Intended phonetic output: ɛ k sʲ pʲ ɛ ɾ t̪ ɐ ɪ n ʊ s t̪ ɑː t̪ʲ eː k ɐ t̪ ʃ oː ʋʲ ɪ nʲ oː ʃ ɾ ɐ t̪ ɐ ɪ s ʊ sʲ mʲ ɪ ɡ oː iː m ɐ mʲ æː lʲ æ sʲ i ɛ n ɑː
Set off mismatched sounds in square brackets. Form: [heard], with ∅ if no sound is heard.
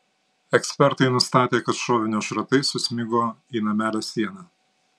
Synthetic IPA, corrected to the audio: ɛ k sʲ pʲ ɛ ɾ t̪ ɐ ɪ n ʊ s t̪ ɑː t̪ʲ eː k ɐ t̪ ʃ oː ʋʲ ɪ nʲ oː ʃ ɾ ɐ t̪ ɐ ɪ s ʊ sʲ mʲ ɪ ɡ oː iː [n] ɐ mʲ æː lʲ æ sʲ i ɛ n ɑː